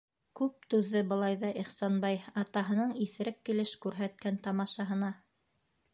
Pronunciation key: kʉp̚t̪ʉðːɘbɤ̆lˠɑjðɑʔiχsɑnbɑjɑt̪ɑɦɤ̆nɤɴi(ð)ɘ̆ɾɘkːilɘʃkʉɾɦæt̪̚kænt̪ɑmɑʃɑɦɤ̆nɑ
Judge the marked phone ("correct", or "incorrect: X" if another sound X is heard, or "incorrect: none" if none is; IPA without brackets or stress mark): incorrect: θ